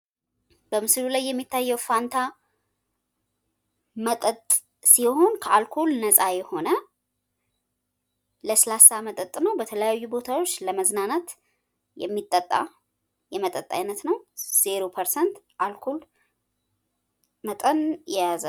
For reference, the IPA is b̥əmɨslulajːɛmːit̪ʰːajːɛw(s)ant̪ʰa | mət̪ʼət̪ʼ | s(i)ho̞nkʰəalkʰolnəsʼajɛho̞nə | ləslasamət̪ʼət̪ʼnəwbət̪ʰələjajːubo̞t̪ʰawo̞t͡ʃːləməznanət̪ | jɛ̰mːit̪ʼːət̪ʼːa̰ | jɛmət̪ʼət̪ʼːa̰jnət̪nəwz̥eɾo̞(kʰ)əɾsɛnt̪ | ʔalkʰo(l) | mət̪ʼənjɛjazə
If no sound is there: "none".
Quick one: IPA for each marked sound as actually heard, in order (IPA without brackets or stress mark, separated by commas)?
f, i, pʰ, l